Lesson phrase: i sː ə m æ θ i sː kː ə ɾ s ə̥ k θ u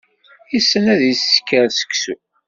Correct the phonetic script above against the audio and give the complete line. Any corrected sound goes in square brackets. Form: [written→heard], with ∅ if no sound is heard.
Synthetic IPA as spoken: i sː ə [m→n] æ [θ→ð] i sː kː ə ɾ s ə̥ k [θ→s] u